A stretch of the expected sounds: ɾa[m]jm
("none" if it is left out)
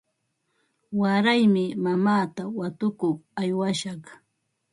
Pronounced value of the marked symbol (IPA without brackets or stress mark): none